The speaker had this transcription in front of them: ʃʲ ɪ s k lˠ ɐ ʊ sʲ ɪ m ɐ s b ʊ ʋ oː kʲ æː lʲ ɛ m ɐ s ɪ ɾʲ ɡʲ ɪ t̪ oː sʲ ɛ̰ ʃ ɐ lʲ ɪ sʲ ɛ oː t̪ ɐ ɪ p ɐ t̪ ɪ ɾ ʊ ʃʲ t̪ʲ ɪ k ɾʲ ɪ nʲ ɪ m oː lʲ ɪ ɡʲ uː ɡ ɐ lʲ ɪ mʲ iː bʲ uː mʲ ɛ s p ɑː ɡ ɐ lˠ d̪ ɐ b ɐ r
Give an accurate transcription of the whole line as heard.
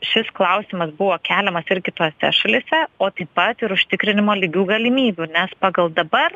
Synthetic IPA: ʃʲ ɪ s k lˠ ɐ ʊ sʲ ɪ m ɐ s b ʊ ʋ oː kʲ æː lʲ ɛ m ɐ s ɪ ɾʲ ɡʲ ɪ t̪ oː sʲ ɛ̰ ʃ ɐ lʲ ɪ sʲ ɛ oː t̪ ɐ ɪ p ɐ t̪ ɪ ɾ ʊ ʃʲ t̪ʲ ɪ k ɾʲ ɪ nʲ ɪ m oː lʲ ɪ ɡʲ uː ɡ ɐ lʲ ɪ mʲ iː bʲ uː nʲ ɛ s p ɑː ɡ ɐ lˠ d̪ ɐ b ɐ r